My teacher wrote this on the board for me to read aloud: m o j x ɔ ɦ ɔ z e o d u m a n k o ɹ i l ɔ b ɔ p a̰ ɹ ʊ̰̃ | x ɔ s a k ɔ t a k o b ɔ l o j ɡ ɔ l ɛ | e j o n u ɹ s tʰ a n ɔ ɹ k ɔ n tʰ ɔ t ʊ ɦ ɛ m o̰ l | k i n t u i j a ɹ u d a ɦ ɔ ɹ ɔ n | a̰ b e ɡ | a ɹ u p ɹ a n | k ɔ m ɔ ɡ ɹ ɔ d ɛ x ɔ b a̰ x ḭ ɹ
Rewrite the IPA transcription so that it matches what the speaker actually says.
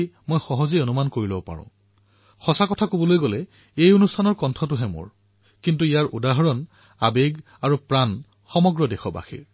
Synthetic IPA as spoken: m o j x ɔ ɦ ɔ z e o n u m a n k o ɹ i l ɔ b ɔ p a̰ ɹ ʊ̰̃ | x ɔ s a k ɔ tʰ a k o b ɔ l o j ɡ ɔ l ɛ | e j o n u s tʰ a n ɔ ɹ k ɔ n tʰ ɔ t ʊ ɦ ɛ m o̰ ɹ | k i n t u i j a ɹ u d a ɦ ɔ ɹ ɔ n | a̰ b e ɡ | a ɹ u p ɹ a n | x ɔ m ɔ ɡ ɹ ɔ d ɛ x ɔ b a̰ x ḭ ɹ